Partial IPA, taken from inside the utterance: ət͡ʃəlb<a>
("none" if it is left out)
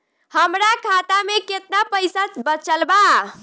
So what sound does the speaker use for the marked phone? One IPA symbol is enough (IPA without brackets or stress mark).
a